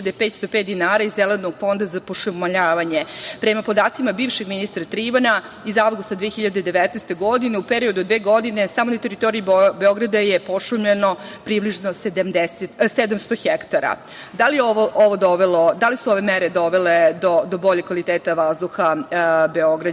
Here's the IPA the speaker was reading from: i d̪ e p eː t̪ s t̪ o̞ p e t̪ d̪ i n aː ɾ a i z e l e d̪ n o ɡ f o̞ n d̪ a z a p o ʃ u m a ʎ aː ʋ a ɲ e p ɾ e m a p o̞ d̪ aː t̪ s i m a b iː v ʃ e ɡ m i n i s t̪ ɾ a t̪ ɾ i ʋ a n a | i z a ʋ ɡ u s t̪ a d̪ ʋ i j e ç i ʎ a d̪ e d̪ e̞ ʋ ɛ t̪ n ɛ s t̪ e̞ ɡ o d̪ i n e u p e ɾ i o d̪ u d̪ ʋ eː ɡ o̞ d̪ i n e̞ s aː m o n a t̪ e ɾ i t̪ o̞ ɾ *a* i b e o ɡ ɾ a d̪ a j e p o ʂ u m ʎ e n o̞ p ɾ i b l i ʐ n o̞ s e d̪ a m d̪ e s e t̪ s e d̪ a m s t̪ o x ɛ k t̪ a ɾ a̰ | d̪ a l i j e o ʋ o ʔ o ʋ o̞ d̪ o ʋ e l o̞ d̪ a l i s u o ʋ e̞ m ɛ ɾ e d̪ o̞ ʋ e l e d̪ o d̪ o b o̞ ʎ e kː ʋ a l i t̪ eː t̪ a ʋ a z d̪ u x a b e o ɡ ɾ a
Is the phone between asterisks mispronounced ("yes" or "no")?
yes